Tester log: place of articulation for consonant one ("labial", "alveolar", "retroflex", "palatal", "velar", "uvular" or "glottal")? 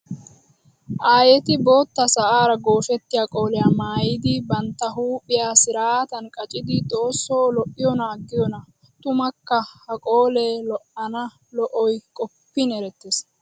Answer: glottal